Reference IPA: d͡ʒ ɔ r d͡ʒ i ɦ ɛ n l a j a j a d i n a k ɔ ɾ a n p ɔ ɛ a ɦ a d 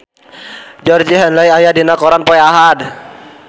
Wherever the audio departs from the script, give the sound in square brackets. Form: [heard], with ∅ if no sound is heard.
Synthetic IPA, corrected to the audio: d͡ʒ ɔ r d͡ʒ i ɦ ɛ n l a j a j a d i n a k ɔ ɾ a n p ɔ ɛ a ɦ a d